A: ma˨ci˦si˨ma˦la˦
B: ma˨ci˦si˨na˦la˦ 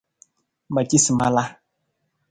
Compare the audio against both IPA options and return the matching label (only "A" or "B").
A